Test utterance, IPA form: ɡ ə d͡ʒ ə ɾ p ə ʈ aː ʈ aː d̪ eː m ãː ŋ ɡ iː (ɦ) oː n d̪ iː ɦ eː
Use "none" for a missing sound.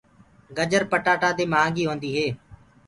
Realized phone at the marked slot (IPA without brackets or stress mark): ɦ